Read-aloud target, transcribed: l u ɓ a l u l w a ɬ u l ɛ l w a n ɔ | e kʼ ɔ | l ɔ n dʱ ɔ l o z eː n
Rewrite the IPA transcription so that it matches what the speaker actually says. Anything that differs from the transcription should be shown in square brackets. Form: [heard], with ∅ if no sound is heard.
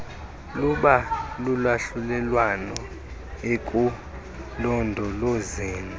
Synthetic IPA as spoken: l u ɓ a l u l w a ɬ u l ɛ l w a n ɔ | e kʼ [u] | l ɔ n dʱ ɔ l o z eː n